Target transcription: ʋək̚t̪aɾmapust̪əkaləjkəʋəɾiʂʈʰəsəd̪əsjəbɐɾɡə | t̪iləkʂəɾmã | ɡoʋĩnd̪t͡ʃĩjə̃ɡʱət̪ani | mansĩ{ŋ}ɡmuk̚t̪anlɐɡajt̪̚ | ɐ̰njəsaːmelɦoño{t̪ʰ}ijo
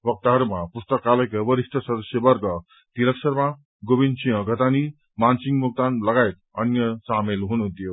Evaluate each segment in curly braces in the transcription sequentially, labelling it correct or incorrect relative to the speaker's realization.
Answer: correct, incorrect

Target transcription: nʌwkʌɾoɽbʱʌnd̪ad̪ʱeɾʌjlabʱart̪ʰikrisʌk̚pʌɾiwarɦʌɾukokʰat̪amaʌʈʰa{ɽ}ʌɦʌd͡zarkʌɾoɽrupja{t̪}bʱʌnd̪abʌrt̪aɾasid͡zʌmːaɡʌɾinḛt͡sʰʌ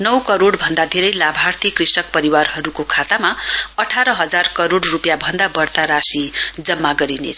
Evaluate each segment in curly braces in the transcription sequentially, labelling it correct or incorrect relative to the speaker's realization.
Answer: incorrect, incorrect

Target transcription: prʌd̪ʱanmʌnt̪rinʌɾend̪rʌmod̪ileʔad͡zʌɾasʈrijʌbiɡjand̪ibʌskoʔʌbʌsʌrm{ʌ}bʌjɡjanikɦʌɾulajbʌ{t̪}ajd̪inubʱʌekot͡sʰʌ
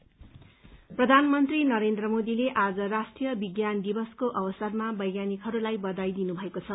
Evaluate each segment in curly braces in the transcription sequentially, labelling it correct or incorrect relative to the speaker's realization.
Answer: incorrect, incorrect

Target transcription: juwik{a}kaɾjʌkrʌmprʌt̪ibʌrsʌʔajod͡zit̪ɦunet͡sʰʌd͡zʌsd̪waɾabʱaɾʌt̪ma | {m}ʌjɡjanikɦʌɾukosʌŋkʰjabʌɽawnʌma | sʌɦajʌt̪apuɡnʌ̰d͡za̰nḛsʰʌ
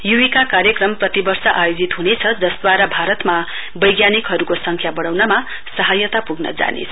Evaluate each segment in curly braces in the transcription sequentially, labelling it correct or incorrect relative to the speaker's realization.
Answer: correct, incorrect

